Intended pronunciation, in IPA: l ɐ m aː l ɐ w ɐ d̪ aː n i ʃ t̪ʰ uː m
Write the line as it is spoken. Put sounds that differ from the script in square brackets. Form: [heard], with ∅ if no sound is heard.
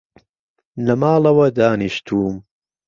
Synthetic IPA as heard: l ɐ m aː l ɐ w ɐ d̪ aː n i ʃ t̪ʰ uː m